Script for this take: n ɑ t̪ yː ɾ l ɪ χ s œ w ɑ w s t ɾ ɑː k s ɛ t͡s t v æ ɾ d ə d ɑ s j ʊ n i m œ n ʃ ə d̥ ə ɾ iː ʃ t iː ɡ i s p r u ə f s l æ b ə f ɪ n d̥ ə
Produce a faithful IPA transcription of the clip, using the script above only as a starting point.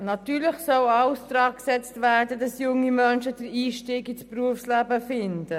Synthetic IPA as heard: n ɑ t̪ yː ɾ l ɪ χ s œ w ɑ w s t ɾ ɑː k s ɛ t͡s t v æ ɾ d ə d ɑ s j ʊ ŋ i m œ n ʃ ə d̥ ə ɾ iː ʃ t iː ɡ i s p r u ə f s l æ b ə f ɪ n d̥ ə

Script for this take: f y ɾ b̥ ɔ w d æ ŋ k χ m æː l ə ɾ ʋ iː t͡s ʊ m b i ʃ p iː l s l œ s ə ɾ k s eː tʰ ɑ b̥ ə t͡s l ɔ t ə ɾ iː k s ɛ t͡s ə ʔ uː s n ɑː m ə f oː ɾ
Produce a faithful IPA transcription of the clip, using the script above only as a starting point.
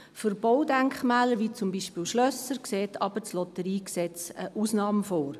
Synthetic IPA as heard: f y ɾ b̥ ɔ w d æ ŋ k χ m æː l ə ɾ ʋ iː t͡s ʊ m b i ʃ p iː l ʃ l œ s ə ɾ k s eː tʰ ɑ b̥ ə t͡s l ɔ t ə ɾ iː k s ɛ t͡s ə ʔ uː s n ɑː m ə f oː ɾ

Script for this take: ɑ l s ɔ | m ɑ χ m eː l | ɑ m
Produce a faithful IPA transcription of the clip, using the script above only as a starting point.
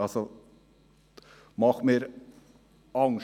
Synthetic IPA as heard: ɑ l s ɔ | m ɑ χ m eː ɾ | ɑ ŋ

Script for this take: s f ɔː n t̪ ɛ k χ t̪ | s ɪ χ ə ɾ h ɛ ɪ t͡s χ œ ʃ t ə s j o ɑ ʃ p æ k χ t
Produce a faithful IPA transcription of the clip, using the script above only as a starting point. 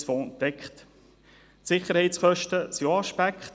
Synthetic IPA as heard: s f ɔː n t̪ ɛ k χ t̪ | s ɪ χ ə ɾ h ɛ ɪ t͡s χ œ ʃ t ə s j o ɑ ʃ p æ k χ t

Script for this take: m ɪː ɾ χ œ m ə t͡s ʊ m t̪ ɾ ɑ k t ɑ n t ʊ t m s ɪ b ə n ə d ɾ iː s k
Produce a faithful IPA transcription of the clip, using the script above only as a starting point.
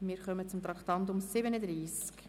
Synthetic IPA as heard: m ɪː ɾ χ œ m ə t͡s ʊ m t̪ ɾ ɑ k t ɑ n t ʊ m s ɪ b ə n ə d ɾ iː s k

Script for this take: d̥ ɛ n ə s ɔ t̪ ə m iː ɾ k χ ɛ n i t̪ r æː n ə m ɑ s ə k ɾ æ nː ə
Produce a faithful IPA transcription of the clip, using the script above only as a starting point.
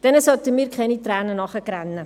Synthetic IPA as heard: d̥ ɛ n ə s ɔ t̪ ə m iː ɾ k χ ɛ n i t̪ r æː n ə n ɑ χ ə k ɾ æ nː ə

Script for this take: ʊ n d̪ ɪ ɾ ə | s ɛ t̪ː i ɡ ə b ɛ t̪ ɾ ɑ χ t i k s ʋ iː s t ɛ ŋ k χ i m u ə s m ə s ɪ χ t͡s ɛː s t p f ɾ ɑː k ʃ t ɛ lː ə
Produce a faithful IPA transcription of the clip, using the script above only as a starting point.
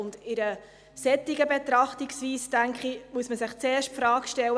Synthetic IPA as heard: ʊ n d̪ ɪ ɾ ə | s ɛ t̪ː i ɡ ə b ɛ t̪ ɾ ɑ χ t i k s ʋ iː s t æ ŋ k χ i m u ə s m ə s ɪ χ t͡s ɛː ʃ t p f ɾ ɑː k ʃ t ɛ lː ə

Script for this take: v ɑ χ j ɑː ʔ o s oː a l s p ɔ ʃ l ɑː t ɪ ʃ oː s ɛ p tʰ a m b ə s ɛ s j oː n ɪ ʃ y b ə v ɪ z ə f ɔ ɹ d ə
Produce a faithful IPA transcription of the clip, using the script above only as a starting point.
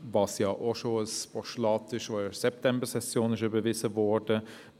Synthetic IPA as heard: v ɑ s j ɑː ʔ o ʃ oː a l s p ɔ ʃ l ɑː t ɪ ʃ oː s ɛ p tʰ ɛ m b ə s ɛ s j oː n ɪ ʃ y b ə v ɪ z ə v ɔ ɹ d ə

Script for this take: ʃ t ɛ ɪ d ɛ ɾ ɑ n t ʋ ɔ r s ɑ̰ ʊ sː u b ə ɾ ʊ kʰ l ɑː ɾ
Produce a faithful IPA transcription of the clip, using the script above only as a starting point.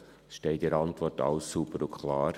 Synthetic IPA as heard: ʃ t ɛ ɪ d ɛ ɾ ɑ n t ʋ ɔ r t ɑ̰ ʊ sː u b ə ɾ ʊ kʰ l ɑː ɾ

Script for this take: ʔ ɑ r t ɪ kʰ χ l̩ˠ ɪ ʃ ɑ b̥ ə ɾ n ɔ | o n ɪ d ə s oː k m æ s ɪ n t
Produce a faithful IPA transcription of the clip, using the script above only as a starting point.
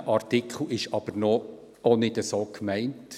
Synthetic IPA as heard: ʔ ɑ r t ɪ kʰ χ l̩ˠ ɪ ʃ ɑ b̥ ə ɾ n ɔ | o n ɪ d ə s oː k m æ ɪ n t

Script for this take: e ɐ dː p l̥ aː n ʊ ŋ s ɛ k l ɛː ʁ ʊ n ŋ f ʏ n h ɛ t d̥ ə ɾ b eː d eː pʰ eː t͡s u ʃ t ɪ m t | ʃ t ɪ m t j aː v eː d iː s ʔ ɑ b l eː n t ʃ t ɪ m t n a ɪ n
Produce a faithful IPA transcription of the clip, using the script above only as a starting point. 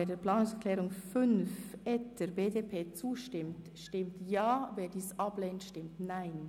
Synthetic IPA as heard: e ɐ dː p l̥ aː n ʊ ŋ s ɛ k l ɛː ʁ ʊ ŋ f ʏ n f ɛ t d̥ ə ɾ b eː d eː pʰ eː t͡s uː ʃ t ɪ m t | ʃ t ɪ m t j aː v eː d iː s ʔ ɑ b l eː n t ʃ t ɪ m t n a ɪ n

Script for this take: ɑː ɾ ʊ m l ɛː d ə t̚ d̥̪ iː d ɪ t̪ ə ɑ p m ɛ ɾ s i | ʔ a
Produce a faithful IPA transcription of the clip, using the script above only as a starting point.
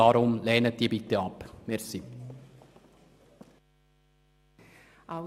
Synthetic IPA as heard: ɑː ɾ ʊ m l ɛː n ə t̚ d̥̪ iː b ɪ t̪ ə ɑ p m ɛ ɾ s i | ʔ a

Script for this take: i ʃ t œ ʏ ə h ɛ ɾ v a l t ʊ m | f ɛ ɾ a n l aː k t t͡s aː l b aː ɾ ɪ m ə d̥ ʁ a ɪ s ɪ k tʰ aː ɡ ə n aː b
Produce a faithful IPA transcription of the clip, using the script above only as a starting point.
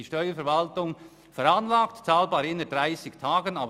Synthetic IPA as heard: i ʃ t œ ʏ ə f ɛ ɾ v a l t ʊ ŋ | f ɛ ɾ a n l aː k t t͡s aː l b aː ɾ ɪ n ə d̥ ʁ a ɪ s ɪ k tʰ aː ɡ ə n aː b

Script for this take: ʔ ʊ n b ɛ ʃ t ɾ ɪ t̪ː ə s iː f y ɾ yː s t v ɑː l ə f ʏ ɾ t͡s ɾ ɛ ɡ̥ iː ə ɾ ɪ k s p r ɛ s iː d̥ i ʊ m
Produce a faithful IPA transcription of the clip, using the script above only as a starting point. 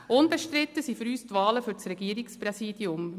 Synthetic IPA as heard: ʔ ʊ n b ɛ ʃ t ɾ ɪ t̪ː ə s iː f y ɾ yː s t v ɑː l ə f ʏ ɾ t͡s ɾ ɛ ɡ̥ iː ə ɾ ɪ k s p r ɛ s iː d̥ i ʊ m

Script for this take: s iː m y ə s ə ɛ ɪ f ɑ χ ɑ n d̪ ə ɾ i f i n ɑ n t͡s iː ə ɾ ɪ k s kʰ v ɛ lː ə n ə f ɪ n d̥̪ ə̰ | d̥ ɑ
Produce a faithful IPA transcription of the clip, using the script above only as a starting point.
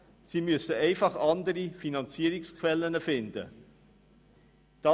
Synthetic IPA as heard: s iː m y ə s ə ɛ ɪ f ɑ χ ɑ n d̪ ə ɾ i f i n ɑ n t͡s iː ə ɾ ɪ k s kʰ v ɛ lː ə n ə f ɪ n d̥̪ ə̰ | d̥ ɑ

